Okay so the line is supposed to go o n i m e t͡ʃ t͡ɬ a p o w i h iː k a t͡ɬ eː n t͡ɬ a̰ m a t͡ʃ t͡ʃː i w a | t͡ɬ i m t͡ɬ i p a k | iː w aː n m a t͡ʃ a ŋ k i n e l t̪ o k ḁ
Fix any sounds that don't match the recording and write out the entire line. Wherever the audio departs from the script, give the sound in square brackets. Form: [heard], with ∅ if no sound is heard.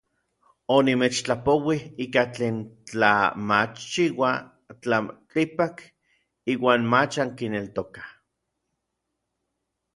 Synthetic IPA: o n i m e t͡ʃ t͡ɬ a p o w i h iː k a t͡ɬ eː n t͡ɬ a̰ m a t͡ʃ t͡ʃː i w a | t͡ɬ [a] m t͡ɬ i p a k | iː w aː n m a t͡ʃ a ŋ k i n e l t̪ o k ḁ